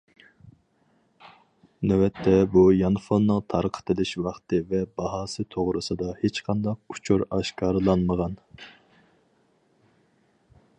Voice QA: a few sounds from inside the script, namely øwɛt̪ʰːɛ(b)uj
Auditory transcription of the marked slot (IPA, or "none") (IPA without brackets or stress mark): b